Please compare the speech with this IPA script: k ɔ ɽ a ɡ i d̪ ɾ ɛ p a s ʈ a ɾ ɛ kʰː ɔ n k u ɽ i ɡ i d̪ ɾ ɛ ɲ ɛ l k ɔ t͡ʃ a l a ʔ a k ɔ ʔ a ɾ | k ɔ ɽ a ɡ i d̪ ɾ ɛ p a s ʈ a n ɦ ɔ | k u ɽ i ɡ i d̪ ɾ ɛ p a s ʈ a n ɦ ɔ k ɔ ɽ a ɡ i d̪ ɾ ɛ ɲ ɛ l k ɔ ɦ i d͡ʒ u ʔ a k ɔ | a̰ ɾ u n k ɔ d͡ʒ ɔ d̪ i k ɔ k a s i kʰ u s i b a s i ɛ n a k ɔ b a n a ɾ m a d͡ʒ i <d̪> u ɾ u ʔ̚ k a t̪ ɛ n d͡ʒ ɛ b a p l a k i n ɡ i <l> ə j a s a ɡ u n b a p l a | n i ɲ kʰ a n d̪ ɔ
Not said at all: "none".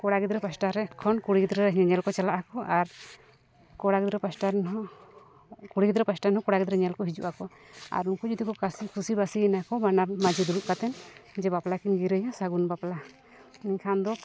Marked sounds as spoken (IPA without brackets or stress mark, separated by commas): d̪, ɾ